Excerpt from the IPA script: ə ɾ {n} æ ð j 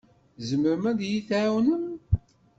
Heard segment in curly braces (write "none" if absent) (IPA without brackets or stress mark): m